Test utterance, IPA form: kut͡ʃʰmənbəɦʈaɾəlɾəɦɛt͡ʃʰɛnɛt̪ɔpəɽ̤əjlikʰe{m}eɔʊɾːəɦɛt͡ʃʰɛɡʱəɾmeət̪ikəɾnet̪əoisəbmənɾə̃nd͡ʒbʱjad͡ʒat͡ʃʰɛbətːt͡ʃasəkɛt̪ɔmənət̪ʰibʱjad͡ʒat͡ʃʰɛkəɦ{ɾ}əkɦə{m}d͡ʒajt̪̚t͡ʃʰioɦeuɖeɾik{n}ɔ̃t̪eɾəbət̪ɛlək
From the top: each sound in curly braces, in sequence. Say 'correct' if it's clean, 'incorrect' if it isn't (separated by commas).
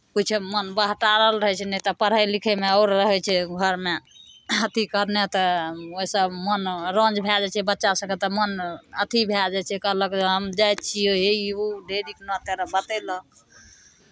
correct, incorrect, correct, correct